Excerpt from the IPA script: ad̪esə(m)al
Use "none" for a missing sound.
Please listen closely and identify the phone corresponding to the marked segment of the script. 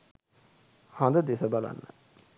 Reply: b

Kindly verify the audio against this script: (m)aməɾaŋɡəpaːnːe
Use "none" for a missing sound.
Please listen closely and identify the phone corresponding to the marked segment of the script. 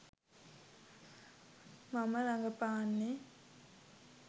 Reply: m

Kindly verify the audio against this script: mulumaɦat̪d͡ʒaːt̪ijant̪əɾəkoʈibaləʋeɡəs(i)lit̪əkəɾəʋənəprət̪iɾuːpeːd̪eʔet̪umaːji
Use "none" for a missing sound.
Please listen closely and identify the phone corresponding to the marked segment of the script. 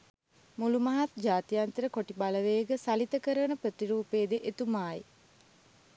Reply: a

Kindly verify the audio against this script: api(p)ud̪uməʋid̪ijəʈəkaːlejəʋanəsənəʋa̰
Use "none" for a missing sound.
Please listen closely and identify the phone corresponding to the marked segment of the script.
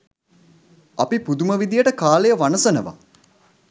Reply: p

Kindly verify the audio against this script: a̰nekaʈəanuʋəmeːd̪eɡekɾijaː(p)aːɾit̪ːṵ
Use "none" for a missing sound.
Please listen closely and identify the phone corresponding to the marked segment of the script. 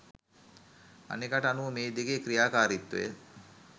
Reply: k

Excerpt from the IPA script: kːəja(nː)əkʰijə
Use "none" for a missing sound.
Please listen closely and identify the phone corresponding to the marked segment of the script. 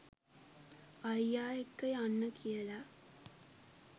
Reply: nː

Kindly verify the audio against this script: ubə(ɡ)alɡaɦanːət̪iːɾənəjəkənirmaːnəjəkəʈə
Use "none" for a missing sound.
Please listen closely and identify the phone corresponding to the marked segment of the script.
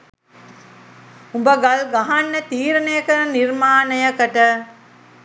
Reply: ɡ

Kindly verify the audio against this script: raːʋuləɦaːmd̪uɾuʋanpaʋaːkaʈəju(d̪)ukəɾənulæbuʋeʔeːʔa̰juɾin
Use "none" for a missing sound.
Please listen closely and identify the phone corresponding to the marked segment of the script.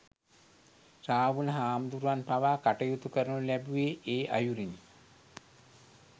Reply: t̪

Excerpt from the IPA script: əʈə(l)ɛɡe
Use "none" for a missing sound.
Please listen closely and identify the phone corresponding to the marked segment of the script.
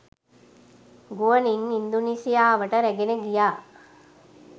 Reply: ɾ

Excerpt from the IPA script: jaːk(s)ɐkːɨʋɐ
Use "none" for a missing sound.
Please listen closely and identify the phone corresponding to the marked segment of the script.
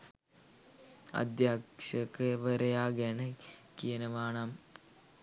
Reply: ʂ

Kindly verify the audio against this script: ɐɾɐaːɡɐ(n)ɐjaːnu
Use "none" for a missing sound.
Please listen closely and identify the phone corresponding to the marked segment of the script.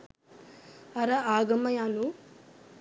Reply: m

